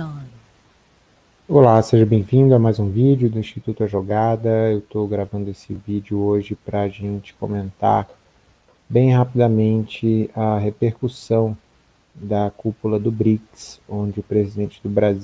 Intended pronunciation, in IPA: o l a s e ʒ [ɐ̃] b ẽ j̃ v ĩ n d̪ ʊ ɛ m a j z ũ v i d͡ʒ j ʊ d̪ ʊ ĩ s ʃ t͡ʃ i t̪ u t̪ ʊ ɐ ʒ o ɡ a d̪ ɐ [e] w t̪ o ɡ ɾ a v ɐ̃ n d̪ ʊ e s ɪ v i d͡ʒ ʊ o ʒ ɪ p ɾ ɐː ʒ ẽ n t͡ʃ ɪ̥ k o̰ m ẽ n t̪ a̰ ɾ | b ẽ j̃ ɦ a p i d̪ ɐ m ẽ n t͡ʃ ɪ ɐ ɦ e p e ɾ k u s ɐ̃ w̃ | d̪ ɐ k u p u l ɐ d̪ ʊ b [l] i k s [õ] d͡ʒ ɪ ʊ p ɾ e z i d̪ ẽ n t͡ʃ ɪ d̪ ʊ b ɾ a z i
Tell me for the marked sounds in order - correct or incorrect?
incorrect, correct, incorrect, correct

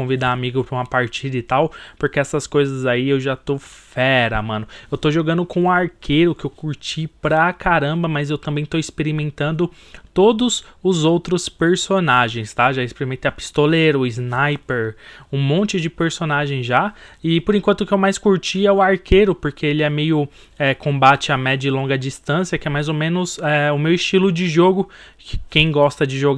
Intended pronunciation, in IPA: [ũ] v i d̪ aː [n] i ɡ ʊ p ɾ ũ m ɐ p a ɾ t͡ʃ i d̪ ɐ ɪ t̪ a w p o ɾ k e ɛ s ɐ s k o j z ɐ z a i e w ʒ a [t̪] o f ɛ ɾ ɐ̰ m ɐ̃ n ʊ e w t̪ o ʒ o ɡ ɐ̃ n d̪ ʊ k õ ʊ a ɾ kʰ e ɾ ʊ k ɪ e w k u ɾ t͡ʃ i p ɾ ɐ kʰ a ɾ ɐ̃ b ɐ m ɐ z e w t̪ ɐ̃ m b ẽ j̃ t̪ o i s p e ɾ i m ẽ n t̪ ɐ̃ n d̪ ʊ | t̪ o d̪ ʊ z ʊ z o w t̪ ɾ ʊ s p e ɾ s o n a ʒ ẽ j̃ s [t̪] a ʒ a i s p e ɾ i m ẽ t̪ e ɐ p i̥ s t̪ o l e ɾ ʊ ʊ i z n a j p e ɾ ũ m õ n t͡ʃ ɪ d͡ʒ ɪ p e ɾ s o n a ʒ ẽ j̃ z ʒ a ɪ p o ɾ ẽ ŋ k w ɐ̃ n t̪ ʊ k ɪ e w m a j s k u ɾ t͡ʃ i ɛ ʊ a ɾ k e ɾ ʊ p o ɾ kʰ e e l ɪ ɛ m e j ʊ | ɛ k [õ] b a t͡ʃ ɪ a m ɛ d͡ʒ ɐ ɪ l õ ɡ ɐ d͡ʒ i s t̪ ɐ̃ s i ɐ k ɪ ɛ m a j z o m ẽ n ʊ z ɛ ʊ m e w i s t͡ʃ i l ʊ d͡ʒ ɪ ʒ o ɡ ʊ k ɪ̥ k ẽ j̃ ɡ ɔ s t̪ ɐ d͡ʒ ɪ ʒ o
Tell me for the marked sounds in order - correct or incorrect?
incorrect, incorrect, correct, correct, correct

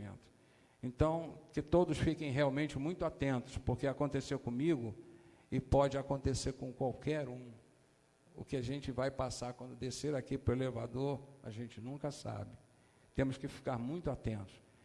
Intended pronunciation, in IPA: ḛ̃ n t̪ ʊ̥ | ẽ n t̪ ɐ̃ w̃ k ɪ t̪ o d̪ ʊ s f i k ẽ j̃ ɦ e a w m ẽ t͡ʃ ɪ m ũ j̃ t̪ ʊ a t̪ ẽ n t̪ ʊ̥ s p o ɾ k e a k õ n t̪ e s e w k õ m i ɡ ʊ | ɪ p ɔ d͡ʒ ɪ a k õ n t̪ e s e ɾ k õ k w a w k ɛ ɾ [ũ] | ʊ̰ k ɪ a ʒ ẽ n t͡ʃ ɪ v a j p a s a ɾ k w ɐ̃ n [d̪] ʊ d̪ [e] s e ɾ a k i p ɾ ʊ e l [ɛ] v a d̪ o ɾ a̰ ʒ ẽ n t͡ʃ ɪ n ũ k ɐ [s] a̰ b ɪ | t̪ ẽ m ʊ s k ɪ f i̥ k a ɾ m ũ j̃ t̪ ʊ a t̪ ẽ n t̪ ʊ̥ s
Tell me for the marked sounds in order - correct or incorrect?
correct, correct, correct, incorrect, correct

